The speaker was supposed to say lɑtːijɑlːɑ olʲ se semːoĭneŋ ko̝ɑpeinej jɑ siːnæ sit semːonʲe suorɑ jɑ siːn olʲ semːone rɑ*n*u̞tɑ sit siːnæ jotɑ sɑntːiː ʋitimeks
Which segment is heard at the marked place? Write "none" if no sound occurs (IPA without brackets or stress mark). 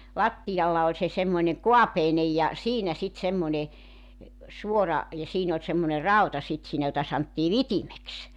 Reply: none